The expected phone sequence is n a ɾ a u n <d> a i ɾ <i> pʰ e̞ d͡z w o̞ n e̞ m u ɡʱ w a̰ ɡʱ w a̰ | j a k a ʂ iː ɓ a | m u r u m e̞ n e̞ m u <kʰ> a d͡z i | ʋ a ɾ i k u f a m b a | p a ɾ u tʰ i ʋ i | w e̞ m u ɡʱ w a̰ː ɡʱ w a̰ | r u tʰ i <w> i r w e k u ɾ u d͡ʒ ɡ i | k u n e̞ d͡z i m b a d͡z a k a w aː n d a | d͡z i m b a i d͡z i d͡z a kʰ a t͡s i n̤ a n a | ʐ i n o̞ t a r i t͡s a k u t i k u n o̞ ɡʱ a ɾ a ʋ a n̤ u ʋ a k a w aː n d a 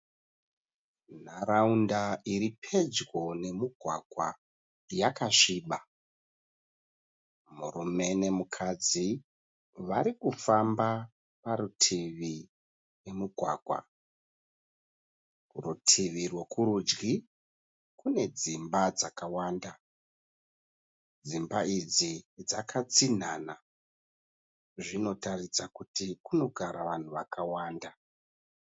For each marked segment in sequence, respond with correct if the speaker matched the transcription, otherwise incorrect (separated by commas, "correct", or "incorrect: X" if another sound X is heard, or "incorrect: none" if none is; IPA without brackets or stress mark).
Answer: correct, correct, correct, incorrect: ʋ